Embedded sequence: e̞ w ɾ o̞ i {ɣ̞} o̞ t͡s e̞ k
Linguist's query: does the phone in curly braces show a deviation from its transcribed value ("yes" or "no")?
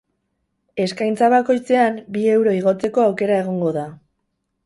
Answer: no